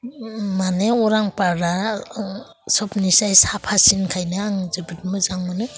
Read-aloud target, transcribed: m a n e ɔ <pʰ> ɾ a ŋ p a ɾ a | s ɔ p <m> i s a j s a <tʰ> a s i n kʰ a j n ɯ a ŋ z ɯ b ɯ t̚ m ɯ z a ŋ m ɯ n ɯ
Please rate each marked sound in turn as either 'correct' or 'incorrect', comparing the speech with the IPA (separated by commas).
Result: incorrect, incorrect, incorrect